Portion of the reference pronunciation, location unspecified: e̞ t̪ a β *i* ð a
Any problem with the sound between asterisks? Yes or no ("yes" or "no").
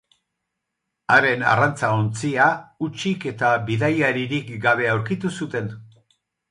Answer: no